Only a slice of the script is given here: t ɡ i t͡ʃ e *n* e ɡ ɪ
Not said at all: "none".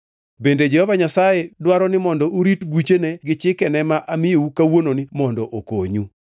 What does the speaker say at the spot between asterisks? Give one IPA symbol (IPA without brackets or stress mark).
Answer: n